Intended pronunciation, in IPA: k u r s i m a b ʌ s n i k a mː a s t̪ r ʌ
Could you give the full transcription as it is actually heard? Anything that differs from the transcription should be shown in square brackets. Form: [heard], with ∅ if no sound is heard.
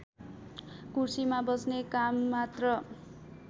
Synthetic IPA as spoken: k u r s i m a b ʌ s n [e] k a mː a [∅] t̪ r ʌ